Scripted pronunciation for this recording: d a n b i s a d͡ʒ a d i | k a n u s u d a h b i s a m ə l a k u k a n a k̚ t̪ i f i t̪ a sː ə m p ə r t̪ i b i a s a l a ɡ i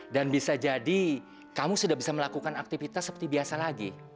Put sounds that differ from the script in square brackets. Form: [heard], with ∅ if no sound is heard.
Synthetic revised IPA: d a n b i s a d͡ʒ a d i | k a [m] u s u d a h b i s a m ə l a k u k a n a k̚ t̪ i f i t̪ a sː ə [∅] p ə r t̪ i b i a s a l a ɡ i